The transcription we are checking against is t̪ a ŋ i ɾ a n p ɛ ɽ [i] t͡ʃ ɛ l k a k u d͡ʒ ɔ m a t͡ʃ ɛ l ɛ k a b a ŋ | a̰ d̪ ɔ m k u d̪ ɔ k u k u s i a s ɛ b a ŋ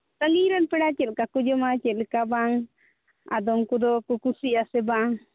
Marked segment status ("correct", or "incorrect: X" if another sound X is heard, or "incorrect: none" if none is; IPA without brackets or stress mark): incorrect: a